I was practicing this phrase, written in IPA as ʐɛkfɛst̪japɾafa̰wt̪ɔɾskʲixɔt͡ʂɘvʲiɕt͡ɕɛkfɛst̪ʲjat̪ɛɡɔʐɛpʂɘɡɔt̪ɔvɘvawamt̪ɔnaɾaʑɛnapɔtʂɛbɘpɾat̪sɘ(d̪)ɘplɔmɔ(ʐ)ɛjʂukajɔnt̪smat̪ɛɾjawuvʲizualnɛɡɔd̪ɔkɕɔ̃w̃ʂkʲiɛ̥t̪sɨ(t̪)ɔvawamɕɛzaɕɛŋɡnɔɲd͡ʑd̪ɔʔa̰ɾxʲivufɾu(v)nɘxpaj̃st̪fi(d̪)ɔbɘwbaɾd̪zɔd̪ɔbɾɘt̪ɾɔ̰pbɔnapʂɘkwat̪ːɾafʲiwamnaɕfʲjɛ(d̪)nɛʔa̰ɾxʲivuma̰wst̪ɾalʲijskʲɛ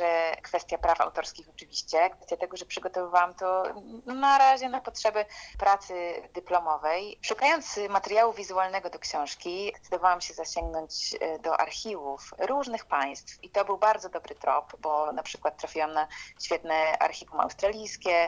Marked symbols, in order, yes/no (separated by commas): yes, no, no, no, no, no